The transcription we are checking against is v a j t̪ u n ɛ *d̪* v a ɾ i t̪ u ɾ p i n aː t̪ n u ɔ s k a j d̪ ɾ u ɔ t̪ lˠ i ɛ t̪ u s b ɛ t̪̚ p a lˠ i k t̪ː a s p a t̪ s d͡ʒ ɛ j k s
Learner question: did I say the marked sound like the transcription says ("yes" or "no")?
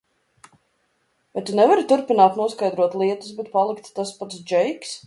no